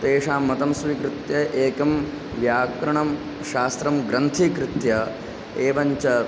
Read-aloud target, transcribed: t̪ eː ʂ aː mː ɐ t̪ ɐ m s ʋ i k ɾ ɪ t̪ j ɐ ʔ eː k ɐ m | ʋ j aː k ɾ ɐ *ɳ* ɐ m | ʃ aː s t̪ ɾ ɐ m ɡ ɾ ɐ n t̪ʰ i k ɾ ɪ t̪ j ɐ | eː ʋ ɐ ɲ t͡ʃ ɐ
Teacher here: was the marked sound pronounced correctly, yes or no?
yes